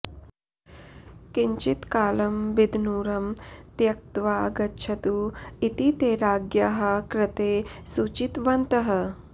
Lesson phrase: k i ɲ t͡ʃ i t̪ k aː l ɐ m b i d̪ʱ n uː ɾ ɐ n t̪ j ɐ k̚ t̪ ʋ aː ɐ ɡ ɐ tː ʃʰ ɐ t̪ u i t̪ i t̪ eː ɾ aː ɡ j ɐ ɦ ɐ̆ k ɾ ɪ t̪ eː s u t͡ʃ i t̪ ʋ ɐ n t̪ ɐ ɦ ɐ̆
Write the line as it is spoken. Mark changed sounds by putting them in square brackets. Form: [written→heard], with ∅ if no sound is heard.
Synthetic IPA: k i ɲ t͡ʃ i t̪ k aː l ɐ m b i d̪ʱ n uː ɾ ɐ [n→m] t̪ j ɐ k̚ t̪ ʋ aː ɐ ɡ ɐ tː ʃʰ ɐ t̪ u i t̪ i t̪ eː ɾ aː ɡ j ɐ ɦ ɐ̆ k ɾ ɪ t̪ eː s u t͡ʃ i t̪ ʋ ɐ n t̪ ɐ ɦ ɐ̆